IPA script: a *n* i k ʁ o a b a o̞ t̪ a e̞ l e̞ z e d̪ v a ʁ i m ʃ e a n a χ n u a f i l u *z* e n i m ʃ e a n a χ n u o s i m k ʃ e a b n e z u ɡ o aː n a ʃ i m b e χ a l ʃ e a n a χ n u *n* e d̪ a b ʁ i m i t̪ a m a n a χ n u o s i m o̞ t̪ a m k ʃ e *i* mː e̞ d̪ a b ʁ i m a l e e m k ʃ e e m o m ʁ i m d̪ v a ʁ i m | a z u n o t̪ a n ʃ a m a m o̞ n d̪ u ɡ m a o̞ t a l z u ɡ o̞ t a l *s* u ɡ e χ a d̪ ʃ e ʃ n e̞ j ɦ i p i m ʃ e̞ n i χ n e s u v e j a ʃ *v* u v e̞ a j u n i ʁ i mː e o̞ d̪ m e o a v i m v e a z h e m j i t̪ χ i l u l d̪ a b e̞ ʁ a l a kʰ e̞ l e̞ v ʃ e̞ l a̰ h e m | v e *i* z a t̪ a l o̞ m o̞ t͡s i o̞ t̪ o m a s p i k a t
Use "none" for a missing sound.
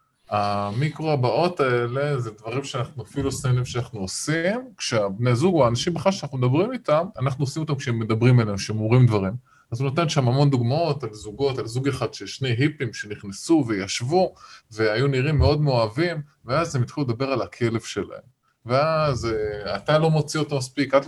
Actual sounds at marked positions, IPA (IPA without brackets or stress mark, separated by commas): m, s, m, e, z, v, a